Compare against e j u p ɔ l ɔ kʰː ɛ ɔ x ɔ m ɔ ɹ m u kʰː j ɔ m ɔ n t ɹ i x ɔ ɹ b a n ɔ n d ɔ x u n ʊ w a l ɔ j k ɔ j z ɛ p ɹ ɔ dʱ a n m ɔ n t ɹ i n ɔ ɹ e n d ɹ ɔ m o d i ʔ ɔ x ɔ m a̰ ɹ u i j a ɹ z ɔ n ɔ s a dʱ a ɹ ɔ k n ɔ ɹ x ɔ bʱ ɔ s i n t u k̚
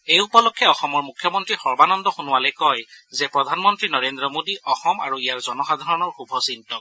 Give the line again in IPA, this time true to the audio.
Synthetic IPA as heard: e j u p ɔ l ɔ kʰː ɛ ɔ x ɔ m ɔ ɹ m u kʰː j ɔ m ɔ n t ɹ i x ɔ ɹ b a n ɔ n d ɔ x u n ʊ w a l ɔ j k ɔ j z ɛ p ɹ ɔ dʱ a n m ɔ n t ɹ i n ɔ ɹ e n d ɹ ɔ m o d i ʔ ɔ x ɔ m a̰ ɹ u i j a ɹ z ɔ n ɔ x a dʱ a ɹ ɔ n ɔ ɹ x u bʱ ɔ s i n t ɔ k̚